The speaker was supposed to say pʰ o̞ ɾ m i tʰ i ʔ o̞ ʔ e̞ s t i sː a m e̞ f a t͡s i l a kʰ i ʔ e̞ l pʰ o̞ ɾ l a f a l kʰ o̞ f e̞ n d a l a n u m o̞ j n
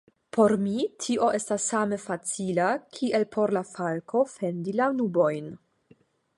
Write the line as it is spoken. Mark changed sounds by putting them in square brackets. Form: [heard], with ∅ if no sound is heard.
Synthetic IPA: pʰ o̞ ɾ m i tʰ i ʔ o̞ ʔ e̞ s t [a] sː a m e̞ f a t͡s i l a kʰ i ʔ e̞ l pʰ o̞ ɾ l a f a l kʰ o̞ f e̞ n d [i] l a n u [b] o̞ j n